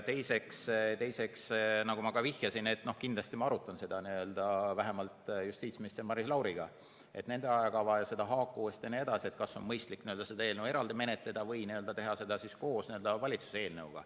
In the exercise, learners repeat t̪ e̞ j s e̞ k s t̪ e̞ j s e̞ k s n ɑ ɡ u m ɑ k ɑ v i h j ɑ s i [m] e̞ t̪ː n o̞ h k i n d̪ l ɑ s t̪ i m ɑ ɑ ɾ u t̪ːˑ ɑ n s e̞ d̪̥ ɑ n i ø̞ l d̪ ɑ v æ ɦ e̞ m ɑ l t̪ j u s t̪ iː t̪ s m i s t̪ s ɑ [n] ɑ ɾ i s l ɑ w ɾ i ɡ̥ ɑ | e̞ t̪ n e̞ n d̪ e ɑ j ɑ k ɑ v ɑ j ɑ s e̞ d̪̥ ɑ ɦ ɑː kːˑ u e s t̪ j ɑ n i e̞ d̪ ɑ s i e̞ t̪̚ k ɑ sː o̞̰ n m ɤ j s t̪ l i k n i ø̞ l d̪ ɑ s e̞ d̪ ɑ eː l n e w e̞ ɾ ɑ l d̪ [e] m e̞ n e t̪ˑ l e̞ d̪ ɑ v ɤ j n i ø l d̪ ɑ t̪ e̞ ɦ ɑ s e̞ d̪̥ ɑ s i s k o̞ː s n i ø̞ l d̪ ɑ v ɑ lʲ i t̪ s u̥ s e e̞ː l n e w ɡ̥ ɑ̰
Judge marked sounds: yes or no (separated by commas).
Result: no, no, no